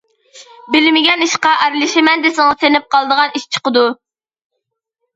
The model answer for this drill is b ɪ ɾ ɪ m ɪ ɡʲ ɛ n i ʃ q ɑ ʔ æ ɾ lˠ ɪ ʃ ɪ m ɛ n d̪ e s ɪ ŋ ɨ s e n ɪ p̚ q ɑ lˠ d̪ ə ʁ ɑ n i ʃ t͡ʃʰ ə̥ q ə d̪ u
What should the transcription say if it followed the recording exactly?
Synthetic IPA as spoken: b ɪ l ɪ m ɪ ɡʲ ɛ n i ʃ q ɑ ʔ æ ɾ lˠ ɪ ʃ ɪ m ɛ n d̪ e s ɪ ŋ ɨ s e n ɪ p̚ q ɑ lˠ d̪ ə ʁ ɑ n i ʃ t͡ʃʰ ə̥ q ə d̪ u